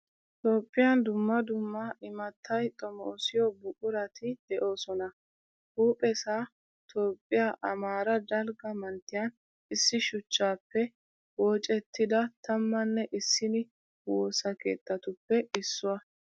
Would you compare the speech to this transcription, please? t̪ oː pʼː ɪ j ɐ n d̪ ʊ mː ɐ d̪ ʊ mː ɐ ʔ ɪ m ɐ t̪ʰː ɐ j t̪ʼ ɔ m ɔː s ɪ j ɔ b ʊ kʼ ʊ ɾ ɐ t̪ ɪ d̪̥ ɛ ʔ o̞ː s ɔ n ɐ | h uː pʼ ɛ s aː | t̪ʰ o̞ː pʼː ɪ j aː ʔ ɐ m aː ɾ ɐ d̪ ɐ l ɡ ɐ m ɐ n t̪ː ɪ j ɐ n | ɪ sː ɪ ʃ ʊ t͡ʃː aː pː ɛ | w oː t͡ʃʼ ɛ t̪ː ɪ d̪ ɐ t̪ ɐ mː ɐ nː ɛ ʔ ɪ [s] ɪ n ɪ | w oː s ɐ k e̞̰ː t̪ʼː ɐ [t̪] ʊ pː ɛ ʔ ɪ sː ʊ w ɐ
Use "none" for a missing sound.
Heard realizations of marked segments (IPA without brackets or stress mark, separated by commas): sː, t̪